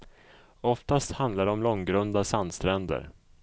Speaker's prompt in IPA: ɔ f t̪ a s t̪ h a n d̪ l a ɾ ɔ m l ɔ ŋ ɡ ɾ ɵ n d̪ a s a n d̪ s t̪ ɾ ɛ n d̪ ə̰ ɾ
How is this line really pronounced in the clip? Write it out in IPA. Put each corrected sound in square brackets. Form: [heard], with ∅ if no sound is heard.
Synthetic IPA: ɔ f t̪ a s t̪ h a n d̪ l a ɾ ɔ m l ɔ ŋ ɡ ɾ ɵ n d̪ a s a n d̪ s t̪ ɾ ɛ n d̪ ə̰ ɾ